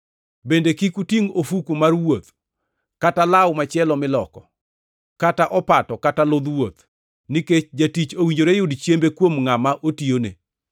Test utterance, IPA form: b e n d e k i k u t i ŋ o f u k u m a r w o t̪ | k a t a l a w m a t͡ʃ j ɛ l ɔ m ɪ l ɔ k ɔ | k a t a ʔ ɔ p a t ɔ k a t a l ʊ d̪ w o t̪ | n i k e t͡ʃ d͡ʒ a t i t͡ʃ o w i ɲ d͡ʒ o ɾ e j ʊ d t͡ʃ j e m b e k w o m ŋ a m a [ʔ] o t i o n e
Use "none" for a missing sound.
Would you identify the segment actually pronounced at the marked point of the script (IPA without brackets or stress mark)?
ʔ